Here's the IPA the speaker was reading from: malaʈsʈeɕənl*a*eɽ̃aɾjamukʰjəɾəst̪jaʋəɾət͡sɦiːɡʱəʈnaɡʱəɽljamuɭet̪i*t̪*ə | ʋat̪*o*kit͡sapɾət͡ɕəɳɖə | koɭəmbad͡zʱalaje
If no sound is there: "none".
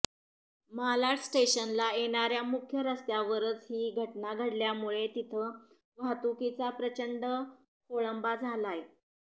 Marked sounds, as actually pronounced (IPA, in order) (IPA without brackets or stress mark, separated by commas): a, t̪ʰ, u